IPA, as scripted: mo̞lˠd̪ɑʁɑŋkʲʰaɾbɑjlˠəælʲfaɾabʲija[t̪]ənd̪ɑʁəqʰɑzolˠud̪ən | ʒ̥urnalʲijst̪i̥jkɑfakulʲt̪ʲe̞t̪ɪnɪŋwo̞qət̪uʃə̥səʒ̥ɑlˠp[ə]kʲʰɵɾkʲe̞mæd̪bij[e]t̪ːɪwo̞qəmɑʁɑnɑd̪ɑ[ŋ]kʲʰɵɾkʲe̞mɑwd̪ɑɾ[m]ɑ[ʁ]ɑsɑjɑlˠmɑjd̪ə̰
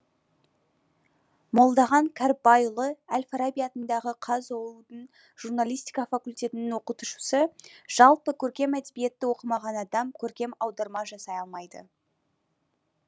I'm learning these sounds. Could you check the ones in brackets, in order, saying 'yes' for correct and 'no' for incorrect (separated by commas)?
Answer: yes, yes, yes, no, yes, no